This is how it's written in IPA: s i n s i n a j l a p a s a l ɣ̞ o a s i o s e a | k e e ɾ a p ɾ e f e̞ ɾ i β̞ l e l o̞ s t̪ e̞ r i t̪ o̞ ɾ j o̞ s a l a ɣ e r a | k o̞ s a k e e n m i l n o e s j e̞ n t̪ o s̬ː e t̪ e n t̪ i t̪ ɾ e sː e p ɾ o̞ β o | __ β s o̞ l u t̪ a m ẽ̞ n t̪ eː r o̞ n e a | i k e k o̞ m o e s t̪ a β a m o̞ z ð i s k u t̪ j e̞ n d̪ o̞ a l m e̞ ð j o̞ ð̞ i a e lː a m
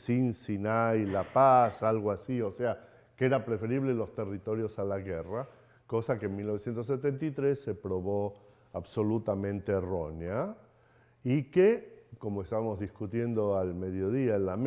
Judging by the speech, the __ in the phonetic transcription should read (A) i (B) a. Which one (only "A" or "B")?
B